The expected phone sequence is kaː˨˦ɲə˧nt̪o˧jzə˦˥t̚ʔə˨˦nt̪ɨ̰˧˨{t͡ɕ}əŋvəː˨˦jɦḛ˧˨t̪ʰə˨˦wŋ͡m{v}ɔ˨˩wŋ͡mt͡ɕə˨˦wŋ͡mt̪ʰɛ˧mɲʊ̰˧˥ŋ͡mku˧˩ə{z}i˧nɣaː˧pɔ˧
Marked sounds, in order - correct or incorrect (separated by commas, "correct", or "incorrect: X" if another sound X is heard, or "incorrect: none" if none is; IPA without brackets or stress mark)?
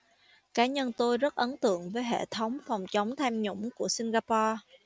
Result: incorrect: none, incorrect: f, incorrect: s